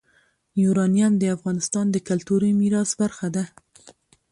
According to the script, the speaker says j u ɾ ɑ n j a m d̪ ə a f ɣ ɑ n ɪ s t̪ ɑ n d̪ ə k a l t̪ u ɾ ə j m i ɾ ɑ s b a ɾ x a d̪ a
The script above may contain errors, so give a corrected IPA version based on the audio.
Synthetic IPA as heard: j u ɾ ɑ n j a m d̪ ə a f ɣ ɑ n ɪ s t̪ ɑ n d̪ ə k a l t̪ u ɾ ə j m i ɾ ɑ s b a ɾ x a d̪ a